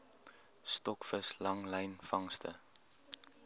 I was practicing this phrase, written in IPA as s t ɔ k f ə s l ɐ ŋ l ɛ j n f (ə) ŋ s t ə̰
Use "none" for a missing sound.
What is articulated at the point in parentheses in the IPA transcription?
ɐ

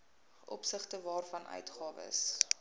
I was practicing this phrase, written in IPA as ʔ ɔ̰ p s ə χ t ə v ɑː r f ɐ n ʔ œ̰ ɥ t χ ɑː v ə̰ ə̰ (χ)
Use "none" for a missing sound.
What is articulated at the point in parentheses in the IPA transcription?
s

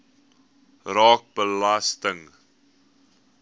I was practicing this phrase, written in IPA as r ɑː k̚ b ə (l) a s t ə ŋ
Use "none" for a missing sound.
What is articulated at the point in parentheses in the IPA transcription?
l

